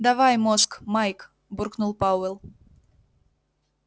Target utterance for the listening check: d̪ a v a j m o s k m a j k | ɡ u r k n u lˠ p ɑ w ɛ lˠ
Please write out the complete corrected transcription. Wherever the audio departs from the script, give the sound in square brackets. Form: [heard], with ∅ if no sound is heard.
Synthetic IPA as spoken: d̪ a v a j m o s k m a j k | [b] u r k n u lˠ p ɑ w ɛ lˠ